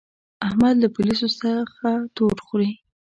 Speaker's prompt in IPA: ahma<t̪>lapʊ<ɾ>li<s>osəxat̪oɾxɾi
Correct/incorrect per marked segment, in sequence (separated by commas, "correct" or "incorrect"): incorrect, incorrect, correct